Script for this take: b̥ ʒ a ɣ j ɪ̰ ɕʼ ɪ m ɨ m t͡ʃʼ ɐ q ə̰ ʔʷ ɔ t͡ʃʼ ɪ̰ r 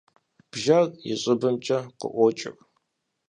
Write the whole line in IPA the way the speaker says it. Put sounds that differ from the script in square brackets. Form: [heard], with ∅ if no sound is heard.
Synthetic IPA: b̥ ʒ a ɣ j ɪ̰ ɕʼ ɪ [b] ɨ m t͡ʃʼ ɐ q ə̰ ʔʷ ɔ t͡ʃʼ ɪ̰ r